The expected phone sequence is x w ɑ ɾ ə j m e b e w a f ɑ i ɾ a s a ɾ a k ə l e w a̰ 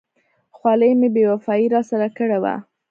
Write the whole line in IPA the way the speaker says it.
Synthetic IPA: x w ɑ l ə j m e b e w a f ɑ i ɾ ɑ s a ɾ a k ə ɽ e w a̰